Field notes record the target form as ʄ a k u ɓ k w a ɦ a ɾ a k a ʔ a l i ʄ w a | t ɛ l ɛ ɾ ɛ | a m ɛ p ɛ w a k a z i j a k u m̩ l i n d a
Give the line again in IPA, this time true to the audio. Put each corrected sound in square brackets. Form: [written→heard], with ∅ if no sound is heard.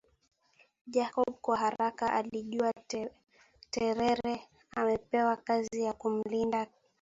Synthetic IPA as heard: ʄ a k [u→ɔ] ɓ k w a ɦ a ɾ a k a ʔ a l i ʄ [w→u] a | t ɛ [l→ɾ] ɛ ɾ ɛ | a m ɛ p ɛ w a k a z i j a k u m̩ l i n d a

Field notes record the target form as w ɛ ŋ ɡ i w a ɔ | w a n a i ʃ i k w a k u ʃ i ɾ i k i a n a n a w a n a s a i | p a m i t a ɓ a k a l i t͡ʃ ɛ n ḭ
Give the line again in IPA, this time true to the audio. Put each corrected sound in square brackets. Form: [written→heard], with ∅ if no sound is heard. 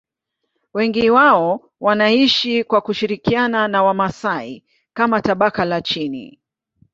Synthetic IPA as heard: w ɛ ŋ ɡ i w a ɔ | w a n a i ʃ i k w a k u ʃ i ɾ i k i a n a n a w a [n→m] a s a i | [p→k] a m [i→a] t a ɓ a k a l [i→a] t͡ʃ [ɛ→i] n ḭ

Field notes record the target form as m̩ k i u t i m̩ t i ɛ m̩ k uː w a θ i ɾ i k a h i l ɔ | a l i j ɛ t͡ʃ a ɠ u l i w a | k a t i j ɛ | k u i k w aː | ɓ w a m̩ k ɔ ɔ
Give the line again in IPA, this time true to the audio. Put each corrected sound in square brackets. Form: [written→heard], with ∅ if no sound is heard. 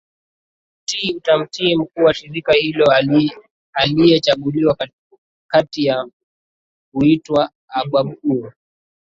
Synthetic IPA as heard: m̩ [k→t] i u t [i→a] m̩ t i ɛ m̩ k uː w a [θ→ʃ] i ɾ i k a h i l ɔ | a l i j ɛ t͡ʃ a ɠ u l i w a | k a t i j [ɛ→a] | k u i [k→t] w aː | ɓ w a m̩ k [ɔ→u] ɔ

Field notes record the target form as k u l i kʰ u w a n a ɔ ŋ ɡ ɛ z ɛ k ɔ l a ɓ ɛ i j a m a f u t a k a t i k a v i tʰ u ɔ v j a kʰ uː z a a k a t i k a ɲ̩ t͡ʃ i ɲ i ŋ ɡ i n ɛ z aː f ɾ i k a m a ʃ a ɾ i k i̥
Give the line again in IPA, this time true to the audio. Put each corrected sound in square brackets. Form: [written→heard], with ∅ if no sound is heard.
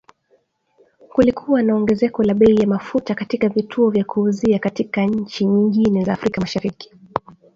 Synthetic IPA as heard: k u l i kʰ u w a n a ɔ ŋ ɡ ɛ z ɛ k ɔ l a ɓ ɛ i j a m a f u t a k a t i k a v i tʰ u ɔ v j a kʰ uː z [a→i] a k a t i k a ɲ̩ t͡ʃ i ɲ i ŋ ɡ i n ɛ z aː f ɾ i k a m a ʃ a ɾ i k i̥

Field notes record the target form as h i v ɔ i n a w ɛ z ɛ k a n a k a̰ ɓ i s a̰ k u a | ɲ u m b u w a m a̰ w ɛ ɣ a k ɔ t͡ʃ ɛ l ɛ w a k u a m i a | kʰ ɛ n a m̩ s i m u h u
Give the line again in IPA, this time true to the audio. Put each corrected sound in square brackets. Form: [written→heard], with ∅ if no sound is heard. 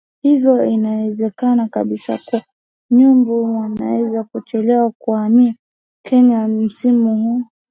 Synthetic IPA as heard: h i v ɔ i n a w ɛ z ɛ k a n a k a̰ ɓ i s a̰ k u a | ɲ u m b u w a [m→n] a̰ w ɛ [ɣ→z] a k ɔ t͡ʃ ɛ l ɛ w a k u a m i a | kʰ ɛ [n→ɲ] a m̩ s i m u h u

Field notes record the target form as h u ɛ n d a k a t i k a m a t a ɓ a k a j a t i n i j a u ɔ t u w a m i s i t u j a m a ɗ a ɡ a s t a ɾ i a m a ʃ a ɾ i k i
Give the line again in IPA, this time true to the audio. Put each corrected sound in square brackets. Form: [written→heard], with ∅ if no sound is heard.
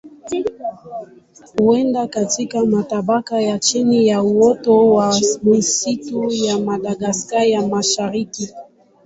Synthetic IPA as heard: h u ɛ n d a k a t i k a m a t a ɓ a k a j a [t→t͡ʃ] i n i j a u ɔ t [u→ɔ] w a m i s i t u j a m a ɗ a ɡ a s [t→k] a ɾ [i→j] a m a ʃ a ɾ i k i

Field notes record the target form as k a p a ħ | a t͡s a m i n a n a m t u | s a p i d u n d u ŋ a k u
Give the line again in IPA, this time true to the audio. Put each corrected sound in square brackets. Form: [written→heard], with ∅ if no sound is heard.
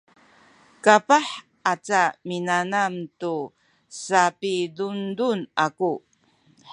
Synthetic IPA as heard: k a p a ħ | a t͡s a m i n a n a m t u | s a p i d u n d u [ŋ→n] a k u

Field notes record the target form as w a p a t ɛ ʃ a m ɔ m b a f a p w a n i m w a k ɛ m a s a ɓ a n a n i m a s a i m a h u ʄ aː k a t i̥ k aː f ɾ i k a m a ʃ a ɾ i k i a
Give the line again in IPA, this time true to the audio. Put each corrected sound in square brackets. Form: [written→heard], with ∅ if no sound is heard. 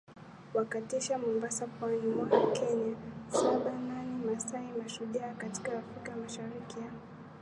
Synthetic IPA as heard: w a [p→k] a t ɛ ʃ a m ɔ m b a [f→s] a p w a n i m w a k ɛ [m→ɲ] a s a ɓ a n a n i m a s a i m a [h→ʃ] u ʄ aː k a t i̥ k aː f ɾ i k a m a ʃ a ɾ i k i a

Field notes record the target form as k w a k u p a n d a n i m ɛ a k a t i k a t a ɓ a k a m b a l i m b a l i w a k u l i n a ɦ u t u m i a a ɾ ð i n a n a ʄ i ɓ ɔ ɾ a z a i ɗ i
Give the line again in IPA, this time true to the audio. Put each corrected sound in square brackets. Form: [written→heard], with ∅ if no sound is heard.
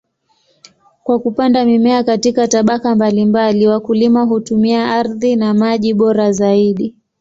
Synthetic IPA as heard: k w a k u p a n d a [n→m] i m ɛ a k a t i k a t a ɓ a k a m b a l i m b a l i w a k u l i [n→m] a ɦ u t u m i a a ɾ ð i n a [n→m] a ʄ i ɓ ɔ ɾ a z a i ɗ i

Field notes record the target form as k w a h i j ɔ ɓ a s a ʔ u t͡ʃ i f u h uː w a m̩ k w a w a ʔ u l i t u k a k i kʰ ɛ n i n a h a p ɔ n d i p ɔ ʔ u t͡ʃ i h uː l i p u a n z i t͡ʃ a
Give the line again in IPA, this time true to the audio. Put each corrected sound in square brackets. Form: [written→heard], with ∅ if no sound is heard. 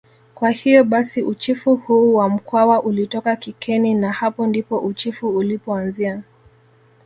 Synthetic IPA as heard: k w a h i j ɔ ɓ a s [a→i] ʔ u t͡ʃ i f u h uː w a m̩ k w a w a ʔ u l i t [u→ɔ] k a k i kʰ ɛ n i n a h a p ɔ n d i p ɔ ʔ u t͡ʃ i [h→f] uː l i p [u→ɔ] a n z i [t͡ʃ→∅] a

